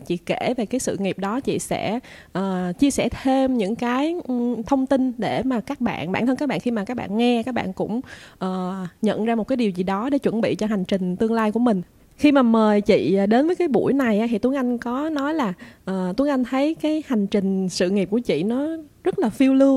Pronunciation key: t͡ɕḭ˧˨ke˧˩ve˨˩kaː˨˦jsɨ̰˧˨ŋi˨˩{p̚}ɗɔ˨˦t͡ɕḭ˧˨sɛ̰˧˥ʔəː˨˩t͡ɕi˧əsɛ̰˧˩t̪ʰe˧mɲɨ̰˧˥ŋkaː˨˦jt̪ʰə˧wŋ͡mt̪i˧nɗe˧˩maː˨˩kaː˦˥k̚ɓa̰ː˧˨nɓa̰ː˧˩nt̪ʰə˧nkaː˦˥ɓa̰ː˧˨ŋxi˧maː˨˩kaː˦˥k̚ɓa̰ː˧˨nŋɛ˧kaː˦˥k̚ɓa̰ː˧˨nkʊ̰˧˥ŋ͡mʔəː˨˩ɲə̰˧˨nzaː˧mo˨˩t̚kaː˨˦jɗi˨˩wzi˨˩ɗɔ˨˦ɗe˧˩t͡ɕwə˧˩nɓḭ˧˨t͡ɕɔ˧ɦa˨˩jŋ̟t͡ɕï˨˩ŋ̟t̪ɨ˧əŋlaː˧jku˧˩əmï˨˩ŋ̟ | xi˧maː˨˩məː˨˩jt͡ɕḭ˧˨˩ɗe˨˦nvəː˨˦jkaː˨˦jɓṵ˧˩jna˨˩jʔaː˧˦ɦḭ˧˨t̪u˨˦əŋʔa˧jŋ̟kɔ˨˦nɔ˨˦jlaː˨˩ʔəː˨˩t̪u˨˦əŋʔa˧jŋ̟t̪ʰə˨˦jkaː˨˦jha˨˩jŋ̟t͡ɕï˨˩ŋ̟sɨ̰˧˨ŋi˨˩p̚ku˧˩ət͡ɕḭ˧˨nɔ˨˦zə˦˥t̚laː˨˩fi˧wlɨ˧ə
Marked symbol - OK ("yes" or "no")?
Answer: yes